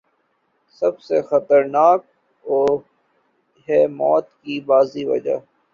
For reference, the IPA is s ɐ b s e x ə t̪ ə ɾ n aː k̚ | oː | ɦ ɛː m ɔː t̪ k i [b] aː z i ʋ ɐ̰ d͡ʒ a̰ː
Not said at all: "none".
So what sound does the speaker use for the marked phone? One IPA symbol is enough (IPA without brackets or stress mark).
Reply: b